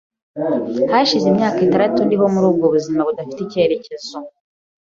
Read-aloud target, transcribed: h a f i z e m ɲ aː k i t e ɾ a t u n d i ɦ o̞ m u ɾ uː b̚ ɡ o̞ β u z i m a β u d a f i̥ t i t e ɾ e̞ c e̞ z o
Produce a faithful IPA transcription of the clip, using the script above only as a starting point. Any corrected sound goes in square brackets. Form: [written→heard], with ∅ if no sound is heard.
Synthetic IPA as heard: h a [f→ʃ] i z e m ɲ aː k i t [e→a] ɾ a t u n d i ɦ o̞ m u ɾ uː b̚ ɡ o̞ β u z i m a β u d a f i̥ t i [t→c] e ɾ e̞ c e̞ z o